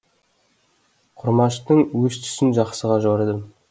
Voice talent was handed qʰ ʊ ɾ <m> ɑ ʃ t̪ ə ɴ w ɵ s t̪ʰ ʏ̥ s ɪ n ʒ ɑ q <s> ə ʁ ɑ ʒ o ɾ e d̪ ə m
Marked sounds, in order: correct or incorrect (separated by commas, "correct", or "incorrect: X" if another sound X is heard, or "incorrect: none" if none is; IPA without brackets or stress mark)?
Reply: correct, correct